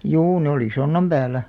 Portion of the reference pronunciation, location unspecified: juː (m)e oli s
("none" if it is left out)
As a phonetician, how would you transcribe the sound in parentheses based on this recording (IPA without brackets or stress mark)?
n